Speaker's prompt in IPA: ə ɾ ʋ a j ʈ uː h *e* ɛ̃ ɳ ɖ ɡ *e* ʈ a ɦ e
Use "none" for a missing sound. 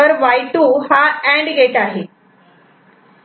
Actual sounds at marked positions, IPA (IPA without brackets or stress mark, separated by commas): a, e